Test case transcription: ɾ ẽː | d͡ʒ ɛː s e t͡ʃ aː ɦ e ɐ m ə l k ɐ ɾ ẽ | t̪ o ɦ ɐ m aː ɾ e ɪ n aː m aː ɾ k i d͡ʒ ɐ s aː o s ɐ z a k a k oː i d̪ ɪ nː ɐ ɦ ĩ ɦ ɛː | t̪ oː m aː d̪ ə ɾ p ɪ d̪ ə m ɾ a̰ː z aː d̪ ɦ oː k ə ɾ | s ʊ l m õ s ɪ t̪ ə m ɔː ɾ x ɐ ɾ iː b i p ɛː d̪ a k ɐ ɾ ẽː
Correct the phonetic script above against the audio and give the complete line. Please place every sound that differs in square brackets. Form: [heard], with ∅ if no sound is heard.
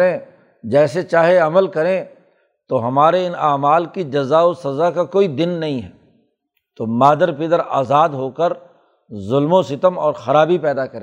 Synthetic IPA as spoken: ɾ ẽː | d͡ʒ ɛː s e t͡ʃ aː ɦ e ɐ m ə l k ɐ ɾ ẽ | t̪ o ɦ ɐ m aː ɾ e ɪ n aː m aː [l] k i d͡ʒ ɐ [z] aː o s ɐ z a k a k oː i d̪ ɪ nː ɐ ɦ ĩ ɦ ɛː | t̪ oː m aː d̪ ə ɾ p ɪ d̪ ə [∅] ɾ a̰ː z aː d̪ ɦ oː k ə ɾ | [z] ʊ l m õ s ɪ t̪ ə m ɔː ɾ x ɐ ɾ [aː] b i p ɛː d̪ a k ɐ ɾ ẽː